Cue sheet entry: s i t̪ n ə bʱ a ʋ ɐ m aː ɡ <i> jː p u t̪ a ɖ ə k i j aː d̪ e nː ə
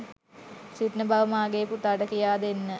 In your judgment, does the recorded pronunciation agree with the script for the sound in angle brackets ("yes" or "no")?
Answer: no